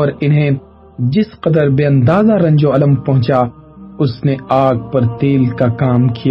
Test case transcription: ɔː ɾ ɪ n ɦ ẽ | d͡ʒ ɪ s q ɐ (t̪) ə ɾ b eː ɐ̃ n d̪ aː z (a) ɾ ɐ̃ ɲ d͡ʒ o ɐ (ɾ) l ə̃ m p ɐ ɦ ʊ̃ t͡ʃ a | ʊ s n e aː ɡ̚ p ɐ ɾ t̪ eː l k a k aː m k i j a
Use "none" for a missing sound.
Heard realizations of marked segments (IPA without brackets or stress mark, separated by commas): d̪, a, none